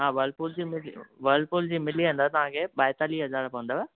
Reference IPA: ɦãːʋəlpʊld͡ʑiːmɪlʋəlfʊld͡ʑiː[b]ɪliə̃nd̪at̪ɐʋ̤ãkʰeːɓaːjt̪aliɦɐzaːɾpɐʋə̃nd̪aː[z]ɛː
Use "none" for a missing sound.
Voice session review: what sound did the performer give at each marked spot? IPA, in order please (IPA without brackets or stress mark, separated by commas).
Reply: m, none